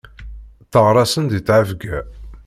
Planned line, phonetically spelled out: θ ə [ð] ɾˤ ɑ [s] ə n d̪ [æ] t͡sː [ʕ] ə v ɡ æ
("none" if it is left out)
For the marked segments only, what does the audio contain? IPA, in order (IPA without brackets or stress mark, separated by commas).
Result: ʁ, s, i, ʕ